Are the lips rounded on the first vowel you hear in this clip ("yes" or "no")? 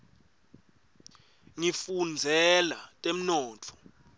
no